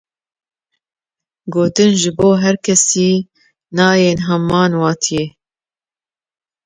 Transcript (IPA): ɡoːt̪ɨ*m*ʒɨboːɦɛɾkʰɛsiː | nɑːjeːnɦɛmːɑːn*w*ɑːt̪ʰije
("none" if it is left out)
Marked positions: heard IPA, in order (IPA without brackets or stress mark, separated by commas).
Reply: n, w